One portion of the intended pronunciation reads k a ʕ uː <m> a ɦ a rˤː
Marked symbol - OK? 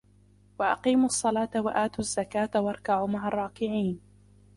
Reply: yes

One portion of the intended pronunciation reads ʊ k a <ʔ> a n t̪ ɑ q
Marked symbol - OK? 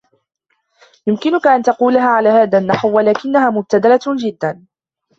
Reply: yes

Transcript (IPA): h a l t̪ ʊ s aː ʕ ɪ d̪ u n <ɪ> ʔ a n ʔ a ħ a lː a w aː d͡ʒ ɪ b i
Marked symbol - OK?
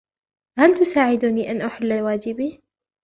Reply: no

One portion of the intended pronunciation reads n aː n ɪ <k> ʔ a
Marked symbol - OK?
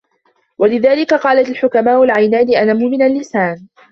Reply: no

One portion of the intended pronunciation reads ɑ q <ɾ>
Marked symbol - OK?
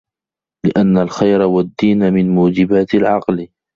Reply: no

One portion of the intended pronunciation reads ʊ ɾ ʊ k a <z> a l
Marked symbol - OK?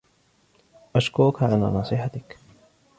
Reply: no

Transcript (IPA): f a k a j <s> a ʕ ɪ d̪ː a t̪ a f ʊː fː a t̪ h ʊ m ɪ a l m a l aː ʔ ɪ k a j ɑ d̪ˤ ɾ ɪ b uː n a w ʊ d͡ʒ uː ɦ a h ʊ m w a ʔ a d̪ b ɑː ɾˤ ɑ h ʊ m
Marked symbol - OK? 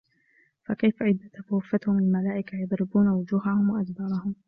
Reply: no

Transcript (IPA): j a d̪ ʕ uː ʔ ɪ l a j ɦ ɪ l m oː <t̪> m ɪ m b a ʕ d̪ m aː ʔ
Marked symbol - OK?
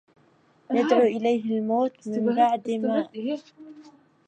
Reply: yes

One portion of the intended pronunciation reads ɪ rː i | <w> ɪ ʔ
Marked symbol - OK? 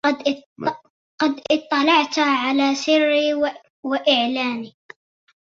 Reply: yes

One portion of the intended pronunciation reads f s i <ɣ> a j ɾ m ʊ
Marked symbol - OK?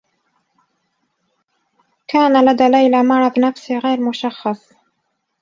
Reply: yes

